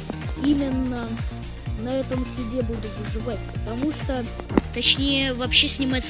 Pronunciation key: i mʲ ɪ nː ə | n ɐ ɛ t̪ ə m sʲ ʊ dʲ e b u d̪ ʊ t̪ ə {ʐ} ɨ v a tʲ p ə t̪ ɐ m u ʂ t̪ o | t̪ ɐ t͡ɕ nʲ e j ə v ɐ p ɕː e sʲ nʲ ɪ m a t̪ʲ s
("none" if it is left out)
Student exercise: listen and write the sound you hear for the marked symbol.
ʐ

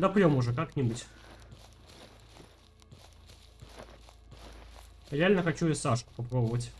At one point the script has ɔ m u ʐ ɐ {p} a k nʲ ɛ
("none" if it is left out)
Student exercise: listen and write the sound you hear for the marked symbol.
k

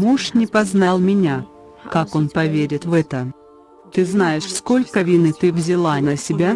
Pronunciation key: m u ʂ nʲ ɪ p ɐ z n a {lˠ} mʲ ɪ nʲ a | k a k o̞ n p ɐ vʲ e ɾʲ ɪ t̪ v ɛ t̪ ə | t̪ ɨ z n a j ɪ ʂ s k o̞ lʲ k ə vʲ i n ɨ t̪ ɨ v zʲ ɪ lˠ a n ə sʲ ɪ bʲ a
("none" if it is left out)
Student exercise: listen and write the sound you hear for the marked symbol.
lˠ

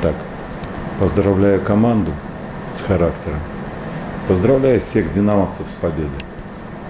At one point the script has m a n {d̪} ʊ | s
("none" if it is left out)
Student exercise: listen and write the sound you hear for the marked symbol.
d̪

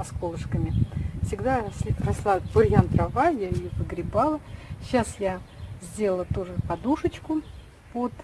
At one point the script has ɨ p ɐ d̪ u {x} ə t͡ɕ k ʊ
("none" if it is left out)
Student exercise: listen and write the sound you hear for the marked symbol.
ʂ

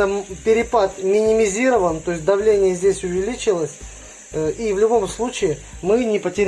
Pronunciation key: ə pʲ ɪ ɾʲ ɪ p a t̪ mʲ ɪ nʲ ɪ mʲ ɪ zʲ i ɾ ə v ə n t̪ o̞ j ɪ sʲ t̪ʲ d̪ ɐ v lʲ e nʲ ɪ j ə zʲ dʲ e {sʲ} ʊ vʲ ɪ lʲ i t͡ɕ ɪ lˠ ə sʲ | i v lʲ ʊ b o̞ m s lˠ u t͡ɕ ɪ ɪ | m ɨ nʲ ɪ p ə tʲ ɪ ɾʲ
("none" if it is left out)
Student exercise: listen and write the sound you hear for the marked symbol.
sʲ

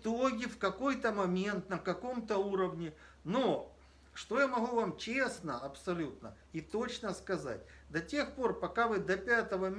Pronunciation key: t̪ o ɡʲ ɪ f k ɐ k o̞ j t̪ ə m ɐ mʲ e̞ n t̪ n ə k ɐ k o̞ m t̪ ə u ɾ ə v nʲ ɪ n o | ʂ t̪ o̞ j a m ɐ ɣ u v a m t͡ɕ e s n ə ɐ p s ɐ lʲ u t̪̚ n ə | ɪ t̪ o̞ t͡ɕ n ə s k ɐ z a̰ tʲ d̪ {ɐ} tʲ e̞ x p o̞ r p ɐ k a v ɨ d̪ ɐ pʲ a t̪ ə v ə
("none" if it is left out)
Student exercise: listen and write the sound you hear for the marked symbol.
ɐ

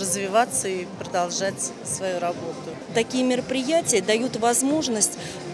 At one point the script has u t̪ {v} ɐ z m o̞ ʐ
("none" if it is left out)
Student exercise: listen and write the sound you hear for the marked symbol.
v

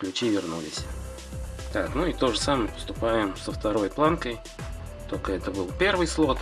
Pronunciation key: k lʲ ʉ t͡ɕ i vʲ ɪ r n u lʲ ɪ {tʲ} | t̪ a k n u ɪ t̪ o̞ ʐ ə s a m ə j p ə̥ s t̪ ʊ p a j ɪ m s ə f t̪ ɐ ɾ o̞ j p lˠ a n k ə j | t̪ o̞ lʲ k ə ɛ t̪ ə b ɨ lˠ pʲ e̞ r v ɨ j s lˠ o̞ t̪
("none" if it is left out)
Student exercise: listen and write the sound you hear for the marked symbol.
sʲ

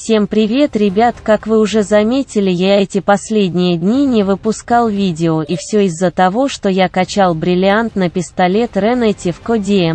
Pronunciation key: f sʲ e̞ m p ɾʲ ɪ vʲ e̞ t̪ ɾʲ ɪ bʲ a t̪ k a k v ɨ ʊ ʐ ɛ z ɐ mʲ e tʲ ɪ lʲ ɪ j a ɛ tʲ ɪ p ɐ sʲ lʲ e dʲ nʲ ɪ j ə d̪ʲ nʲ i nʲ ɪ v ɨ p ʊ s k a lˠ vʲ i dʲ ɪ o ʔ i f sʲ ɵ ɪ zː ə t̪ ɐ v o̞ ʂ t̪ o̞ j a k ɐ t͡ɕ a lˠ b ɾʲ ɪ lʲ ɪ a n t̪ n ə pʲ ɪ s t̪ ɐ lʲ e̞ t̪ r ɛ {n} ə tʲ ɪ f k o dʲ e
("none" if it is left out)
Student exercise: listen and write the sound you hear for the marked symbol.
n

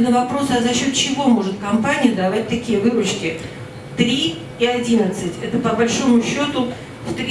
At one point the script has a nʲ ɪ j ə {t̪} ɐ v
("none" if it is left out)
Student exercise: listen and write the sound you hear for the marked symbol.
d̪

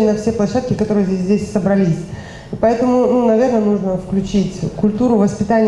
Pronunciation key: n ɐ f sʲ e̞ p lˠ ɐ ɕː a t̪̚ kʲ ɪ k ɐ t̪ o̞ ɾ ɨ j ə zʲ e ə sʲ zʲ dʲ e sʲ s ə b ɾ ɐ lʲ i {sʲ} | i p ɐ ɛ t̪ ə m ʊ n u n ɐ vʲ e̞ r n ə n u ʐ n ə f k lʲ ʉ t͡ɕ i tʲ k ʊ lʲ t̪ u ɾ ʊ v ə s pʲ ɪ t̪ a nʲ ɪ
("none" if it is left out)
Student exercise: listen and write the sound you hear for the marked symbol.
sʲ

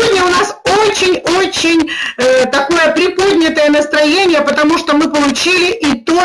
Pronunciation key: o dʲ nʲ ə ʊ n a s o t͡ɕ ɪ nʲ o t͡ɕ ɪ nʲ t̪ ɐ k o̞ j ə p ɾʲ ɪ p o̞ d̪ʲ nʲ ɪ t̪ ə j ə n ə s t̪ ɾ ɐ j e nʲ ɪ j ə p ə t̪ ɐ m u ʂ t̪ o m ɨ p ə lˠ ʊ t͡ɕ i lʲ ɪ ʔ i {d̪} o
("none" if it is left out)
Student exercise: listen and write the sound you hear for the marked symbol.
t̪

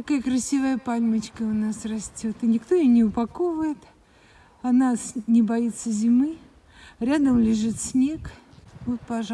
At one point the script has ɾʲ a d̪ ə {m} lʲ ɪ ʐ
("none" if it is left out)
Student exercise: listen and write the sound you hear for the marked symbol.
m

